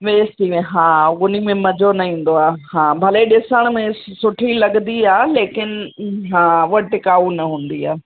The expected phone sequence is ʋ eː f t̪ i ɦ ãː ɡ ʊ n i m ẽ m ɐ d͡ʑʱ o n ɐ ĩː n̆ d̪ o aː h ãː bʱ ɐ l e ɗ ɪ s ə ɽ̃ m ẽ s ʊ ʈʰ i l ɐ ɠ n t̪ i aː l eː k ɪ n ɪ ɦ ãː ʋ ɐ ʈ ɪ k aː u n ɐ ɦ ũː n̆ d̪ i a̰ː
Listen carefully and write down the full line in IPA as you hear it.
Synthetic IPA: ʋ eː s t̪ i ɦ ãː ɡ ʊ n i m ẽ m ɐ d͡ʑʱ o n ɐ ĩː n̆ d̪ o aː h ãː bʱ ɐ l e ɗ ɪ s ə ɽ̃ m ẽ s ʊ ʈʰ i l ɐ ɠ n d̪ i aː l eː k ɪ n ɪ ɦ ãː ʋ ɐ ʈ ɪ k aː u n ɐ ɦ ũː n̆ d̪ i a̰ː